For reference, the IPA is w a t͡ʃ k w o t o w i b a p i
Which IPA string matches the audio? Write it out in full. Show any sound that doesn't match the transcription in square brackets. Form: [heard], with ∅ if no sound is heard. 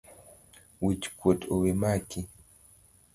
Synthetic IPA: w [i] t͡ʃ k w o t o w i [m] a [k] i